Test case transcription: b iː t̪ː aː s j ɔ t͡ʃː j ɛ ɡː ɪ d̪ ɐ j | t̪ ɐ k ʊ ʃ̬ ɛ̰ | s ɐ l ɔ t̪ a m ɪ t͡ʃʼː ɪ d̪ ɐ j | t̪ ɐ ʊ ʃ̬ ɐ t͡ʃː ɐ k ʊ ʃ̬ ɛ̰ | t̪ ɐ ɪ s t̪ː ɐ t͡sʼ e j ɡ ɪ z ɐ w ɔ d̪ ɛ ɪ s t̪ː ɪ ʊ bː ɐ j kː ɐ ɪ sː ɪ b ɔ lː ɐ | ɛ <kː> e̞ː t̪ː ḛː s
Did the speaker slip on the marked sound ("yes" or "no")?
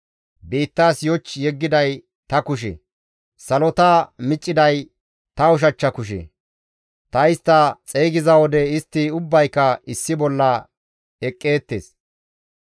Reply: yes